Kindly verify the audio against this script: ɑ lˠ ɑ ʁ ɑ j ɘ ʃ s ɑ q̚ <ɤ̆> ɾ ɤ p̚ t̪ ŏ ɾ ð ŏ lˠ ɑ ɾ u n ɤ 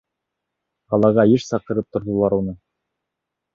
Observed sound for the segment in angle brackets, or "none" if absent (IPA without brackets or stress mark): ɤ̆